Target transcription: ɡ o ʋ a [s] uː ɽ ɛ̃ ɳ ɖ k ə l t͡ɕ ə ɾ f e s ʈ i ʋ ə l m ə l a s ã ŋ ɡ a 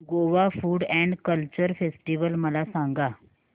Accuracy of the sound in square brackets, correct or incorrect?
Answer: incorrect